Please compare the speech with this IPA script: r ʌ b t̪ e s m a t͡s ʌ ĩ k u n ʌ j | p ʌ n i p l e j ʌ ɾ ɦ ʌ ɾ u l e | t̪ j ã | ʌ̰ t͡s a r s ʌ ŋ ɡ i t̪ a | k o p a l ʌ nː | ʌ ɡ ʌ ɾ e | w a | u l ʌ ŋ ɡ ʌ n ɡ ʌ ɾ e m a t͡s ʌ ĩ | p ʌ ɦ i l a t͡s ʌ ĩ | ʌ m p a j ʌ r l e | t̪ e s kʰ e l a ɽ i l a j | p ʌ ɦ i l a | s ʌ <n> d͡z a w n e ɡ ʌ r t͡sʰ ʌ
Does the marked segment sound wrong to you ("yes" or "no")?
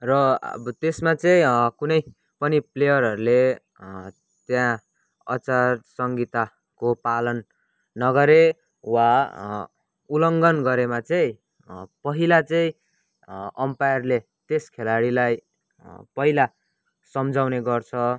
yes